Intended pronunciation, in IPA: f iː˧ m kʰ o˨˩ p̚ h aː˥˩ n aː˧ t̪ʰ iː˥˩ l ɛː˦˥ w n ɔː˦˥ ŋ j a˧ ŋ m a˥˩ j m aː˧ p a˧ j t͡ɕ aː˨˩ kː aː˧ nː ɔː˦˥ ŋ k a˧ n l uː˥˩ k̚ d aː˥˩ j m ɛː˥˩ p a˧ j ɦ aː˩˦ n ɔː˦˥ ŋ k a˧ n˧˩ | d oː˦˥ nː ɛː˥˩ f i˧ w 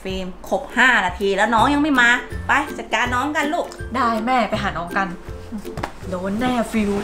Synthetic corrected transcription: f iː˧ m kʰ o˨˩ p̚ h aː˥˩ n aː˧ t̪ʰ iː˧ l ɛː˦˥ w n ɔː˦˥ ŋ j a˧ ŋ m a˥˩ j m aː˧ p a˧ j t͡ɕ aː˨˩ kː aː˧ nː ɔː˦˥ ŋ k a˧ n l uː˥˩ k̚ d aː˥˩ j m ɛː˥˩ p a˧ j ɦ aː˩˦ n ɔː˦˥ ŋ k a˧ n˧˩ | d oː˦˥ nː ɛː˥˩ f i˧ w

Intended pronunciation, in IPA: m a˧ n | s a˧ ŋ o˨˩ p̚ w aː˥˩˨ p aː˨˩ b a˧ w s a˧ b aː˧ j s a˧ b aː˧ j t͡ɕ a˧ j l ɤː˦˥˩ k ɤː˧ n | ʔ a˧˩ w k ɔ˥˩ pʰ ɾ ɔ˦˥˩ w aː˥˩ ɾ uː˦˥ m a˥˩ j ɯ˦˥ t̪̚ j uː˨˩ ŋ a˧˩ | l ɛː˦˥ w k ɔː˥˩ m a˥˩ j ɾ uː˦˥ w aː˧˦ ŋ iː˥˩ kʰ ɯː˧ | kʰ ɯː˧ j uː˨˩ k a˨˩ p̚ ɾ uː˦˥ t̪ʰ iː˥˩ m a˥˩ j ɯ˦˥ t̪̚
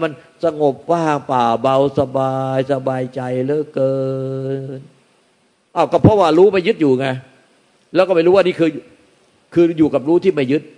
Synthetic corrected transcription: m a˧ n | s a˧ ŋ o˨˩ p̚ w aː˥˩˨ p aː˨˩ b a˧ w s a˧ b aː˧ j s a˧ b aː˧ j t͡ɕ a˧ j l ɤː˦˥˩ k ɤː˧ n | ʔ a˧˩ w k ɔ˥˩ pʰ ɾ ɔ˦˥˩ w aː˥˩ ɾ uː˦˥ m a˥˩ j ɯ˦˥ t̪̚ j uː˨˩ ŋ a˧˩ | l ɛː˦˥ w k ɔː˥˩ m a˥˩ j ɾ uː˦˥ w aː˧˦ n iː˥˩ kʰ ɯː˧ | kʰ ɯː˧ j uː˨˩ k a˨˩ p̚ ɾ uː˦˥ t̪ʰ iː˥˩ m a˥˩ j ɯ˦˥ t̪̚

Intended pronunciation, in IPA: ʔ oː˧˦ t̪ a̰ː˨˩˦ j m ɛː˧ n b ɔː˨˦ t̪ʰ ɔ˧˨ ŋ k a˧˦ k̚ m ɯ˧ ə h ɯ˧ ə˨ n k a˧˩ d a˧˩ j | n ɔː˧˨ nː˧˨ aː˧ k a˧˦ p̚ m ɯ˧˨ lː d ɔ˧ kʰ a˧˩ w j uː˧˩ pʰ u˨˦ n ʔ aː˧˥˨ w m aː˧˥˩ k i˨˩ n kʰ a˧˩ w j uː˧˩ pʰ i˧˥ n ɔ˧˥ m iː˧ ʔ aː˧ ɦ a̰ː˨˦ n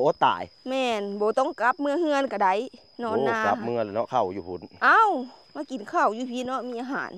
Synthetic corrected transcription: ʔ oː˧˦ t̪ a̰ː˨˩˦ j m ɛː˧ n b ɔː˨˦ t̪ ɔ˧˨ ŋ k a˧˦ p̚ m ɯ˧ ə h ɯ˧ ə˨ n k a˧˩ d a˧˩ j | n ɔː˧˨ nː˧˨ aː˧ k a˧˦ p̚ m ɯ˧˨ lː n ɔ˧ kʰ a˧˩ w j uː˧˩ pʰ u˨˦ n ʔ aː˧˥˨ w m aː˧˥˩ k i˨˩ n kʰ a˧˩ w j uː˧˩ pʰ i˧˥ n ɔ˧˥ m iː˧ ʔ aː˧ ɦ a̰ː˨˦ n

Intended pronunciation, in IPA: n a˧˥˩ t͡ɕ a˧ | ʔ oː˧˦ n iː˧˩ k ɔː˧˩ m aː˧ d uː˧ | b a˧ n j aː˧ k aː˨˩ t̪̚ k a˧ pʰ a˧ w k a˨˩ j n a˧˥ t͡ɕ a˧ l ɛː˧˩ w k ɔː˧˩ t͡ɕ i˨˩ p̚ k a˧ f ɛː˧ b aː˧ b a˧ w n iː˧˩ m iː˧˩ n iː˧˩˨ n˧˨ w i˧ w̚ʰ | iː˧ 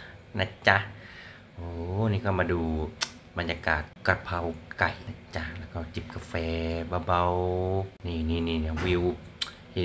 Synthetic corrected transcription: n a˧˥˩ t͡ɕ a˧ | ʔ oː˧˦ n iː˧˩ k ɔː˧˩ m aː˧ d uː˧ | b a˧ n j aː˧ k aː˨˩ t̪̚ k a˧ pʰ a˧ w k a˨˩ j n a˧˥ t͡ɕ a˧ l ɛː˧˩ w k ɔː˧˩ t͡ɕ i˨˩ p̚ k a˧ f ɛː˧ b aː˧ b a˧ w n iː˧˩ n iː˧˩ n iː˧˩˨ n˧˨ w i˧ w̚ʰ | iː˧

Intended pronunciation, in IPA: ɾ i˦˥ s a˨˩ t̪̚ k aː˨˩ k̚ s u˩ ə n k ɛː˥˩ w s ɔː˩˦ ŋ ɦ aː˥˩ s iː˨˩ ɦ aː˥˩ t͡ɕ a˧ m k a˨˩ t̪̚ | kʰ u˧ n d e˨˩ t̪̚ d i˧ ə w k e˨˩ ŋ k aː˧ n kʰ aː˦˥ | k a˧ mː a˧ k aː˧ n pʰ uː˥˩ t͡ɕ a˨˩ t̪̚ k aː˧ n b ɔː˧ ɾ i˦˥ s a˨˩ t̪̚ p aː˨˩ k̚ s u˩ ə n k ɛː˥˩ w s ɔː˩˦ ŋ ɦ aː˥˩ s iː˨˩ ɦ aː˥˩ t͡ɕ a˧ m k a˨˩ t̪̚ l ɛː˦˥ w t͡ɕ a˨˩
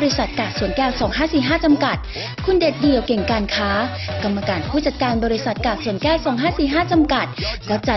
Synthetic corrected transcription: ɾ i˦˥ s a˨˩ t̪̚ k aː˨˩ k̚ s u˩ ə n k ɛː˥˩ w s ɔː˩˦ ŋ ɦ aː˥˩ s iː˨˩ ɦ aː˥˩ t͡ɕ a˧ m k a˨˩ t̪̚ | kʰ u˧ n d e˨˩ t̪̚ d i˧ ə w k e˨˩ ŋ k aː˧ n kʰ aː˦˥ | k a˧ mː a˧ k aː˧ n pʰ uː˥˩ t͡ɕ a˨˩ t̪̚ k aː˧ n b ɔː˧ ɾ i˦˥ s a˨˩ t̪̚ k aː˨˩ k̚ s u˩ ə n k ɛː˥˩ w s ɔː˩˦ ŋ ɦ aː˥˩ s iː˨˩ ɦ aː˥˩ t͡ɕ a˧ m k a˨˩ t̪̚ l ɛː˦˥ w t͡ɕ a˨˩

